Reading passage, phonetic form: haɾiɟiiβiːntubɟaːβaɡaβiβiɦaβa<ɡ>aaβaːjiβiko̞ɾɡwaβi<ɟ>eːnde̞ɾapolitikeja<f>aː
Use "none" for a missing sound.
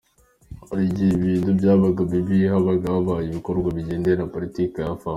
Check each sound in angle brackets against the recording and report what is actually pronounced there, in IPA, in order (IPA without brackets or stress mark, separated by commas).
ɡ, ɟ, f